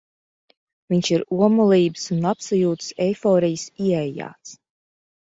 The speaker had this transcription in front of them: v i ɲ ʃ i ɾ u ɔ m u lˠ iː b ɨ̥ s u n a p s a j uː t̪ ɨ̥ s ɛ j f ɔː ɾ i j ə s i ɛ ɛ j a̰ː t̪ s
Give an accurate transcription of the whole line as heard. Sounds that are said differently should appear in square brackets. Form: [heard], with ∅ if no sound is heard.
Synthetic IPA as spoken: v i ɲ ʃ i ɾ u ɔ m u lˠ iː b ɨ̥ s u n a p s a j uː t̪ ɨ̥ s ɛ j f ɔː ɾ i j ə s i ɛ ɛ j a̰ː t̪ s